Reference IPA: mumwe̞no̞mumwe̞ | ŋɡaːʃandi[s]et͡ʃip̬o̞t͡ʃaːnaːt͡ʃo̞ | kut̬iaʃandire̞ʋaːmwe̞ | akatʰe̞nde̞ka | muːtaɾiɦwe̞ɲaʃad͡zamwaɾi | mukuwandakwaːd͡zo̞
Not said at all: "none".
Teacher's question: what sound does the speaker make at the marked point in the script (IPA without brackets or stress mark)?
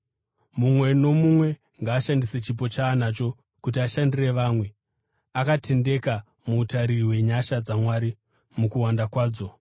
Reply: s